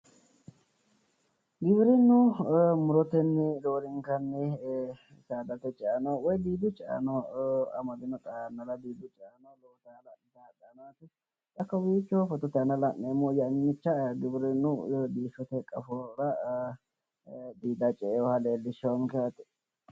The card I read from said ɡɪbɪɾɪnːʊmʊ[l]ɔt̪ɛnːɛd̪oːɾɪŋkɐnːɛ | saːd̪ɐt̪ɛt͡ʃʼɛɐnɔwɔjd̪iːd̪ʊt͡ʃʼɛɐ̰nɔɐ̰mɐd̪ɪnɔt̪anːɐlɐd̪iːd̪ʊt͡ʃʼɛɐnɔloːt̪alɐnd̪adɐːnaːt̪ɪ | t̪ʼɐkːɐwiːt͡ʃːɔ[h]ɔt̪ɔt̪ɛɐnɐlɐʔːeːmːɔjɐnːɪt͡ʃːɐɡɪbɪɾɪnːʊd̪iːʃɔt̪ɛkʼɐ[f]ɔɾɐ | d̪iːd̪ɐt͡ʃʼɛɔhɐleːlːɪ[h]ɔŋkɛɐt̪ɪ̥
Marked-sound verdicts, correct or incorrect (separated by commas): incorrect, incorrect, correct, incorrect